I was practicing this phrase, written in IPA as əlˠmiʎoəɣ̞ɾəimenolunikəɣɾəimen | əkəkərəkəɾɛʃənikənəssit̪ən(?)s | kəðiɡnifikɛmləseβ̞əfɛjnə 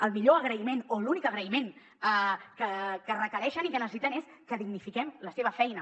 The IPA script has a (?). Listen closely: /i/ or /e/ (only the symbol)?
e